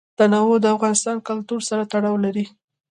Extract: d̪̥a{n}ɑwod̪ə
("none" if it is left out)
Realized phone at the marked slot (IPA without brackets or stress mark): n